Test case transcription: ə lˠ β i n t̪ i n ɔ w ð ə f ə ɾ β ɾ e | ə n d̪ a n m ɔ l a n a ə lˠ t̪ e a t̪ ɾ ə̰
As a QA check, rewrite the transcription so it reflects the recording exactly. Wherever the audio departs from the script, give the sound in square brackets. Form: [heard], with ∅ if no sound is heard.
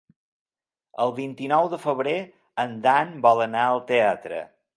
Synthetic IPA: ə lˠ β i n t̪ i n ɔ w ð ə f ə [∅] β ɾ e | ə n d̪ a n [b] ɔ l [ə] n a ə lˠ t̪ e a t̪ ɾ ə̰